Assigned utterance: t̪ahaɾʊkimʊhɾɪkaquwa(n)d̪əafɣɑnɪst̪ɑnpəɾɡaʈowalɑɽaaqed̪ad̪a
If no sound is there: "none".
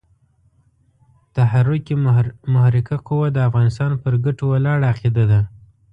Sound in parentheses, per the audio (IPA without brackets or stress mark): none